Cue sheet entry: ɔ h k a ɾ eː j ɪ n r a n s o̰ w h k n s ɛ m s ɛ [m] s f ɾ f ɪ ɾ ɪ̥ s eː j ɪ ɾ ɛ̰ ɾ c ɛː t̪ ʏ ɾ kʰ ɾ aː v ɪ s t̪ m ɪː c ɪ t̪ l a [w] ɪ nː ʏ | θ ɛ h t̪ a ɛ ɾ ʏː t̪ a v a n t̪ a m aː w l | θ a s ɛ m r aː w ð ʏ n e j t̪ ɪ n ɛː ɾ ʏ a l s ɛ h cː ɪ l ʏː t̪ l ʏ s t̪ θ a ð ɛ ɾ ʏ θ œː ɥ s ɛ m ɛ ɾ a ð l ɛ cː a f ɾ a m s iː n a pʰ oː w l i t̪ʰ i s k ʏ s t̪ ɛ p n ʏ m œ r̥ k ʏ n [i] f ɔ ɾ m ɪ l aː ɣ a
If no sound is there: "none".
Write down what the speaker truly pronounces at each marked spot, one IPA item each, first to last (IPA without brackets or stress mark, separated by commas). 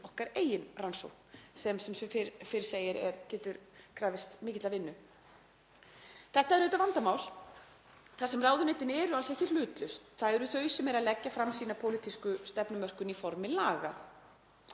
m, v, i